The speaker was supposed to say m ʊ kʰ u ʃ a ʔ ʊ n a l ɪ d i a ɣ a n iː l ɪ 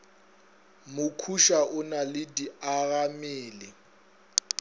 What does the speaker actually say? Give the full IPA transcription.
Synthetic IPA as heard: m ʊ kʰ u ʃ a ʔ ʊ n a l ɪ d i a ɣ a m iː l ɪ